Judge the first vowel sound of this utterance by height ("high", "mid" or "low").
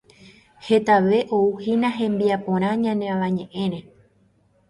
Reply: mid